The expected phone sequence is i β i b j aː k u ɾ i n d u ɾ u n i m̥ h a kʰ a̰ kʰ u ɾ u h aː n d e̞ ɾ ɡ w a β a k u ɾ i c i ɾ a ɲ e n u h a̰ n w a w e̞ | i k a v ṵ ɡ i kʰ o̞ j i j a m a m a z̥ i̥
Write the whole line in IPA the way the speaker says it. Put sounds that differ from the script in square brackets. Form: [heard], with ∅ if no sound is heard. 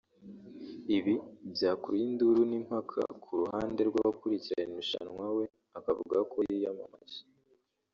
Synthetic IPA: i β i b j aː k u ɾ i n d u ɾ u n i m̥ h a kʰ a̰ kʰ u ɾ u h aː n d e̞ ɾ ɡ w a β a k u ɾ i c i ɾ a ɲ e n u [ʃ] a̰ n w a w e̞ | [a] k a v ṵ ɡ [a] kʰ o̞ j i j a m a m a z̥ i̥